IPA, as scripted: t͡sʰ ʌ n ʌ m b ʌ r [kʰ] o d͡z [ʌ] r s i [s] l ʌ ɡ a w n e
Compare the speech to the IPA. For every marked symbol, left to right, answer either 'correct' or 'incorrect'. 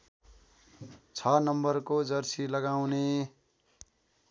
incorrect: k, correct, incorrect: none

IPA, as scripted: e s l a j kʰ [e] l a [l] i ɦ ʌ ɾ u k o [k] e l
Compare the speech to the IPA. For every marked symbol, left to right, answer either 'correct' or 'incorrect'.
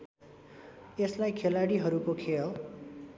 correct, incorrect: ɽ, incorrect: kʰ

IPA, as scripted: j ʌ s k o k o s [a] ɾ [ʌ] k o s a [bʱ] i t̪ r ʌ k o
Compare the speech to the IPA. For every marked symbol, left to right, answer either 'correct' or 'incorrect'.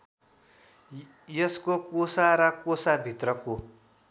correct, correct, correct

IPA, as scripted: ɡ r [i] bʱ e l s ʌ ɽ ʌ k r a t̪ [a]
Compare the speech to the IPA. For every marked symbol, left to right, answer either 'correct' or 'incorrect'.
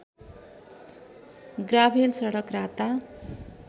incorrect: a, correct

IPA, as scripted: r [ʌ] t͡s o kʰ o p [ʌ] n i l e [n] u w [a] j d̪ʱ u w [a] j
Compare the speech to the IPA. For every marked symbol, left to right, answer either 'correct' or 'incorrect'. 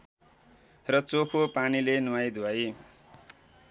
correct, incorrect: a, correct, correct, correct

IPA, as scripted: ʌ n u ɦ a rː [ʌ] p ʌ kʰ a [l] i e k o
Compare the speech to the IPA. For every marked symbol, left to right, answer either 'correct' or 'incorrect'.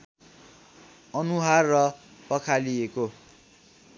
correct, correct

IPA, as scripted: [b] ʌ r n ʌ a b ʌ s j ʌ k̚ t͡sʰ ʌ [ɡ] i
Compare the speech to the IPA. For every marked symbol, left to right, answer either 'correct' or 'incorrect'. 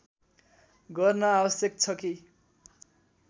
incorrect: ɡ, incorrect: k

